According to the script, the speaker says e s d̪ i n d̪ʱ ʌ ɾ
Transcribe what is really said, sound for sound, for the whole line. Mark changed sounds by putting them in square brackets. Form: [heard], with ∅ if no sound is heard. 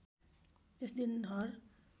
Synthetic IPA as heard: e s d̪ i n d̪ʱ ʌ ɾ